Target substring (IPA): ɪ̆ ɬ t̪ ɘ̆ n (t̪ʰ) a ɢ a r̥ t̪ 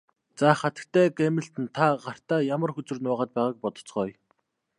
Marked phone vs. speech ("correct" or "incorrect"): correct